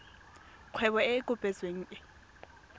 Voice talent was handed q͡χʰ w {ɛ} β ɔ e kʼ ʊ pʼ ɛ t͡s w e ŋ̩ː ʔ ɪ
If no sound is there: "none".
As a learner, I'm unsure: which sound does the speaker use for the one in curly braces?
ɛ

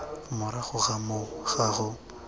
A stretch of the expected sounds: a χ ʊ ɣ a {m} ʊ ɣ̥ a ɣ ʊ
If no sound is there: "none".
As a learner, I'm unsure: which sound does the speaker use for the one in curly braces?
m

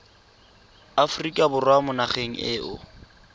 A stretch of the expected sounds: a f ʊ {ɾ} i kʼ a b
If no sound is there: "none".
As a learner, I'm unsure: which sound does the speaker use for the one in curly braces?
r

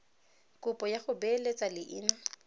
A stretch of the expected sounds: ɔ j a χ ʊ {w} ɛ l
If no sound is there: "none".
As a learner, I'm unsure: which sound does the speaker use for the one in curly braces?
b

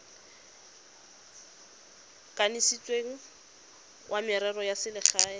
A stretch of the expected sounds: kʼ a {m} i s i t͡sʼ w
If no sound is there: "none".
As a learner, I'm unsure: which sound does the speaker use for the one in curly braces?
n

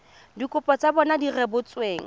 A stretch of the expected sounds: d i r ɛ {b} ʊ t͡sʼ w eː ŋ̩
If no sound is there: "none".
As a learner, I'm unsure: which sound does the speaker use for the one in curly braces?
b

